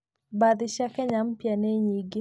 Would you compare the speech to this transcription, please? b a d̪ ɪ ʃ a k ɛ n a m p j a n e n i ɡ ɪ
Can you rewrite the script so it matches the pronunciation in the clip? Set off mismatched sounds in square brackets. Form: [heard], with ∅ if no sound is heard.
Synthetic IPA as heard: b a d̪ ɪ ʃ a k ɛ [ɲ] a m p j a n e [ɲ] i ɡ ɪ